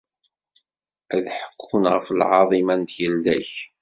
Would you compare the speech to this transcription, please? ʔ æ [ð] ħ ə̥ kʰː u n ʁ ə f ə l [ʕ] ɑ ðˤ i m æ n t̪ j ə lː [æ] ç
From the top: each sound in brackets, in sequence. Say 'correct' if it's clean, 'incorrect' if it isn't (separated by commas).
correct, correct, correct